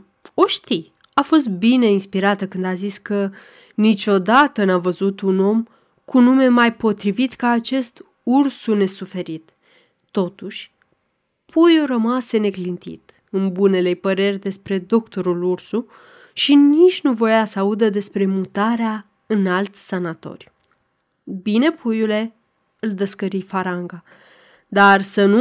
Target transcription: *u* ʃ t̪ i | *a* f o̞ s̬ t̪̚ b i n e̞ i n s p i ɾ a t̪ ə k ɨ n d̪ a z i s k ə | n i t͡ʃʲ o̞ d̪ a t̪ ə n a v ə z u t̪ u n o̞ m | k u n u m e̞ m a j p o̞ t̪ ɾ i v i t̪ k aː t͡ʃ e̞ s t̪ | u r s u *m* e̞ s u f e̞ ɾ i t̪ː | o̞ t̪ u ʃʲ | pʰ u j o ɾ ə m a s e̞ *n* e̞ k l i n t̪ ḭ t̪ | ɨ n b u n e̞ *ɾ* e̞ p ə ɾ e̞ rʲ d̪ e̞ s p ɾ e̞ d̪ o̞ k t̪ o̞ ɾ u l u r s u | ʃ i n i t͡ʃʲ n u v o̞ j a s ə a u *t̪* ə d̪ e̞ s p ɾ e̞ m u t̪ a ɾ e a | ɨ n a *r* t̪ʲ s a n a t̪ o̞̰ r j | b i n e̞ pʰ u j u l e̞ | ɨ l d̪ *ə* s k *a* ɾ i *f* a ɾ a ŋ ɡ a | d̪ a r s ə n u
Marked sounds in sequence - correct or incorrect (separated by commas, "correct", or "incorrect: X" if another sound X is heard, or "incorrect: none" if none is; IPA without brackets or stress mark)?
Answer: incorrect: o, correct, incorrect: n, correct, incorrect: l, incorrect: d̪, incorrect: l, correct, incorrect: ə, correct